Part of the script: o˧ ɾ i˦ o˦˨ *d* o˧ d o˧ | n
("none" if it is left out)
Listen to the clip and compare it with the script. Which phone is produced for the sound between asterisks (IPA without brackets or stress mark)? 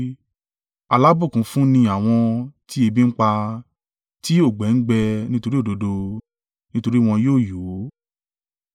d